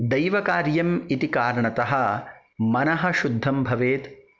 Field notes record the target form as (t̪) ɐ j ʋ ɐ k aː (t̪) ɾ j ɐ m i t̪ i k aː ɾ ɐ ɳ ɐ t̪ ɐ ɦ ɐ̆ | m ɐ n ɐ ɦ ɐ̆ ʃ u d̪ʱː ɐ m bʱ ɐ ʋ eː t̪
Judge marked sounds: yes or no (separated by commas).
no, no